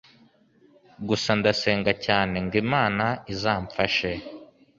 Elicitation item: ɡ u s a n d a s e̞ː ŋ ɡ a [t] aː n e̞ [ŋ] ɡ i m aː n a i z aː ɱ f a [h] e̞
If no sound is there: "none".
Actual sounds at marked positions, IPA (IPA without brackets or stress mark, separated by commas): c, ŋ, ʃ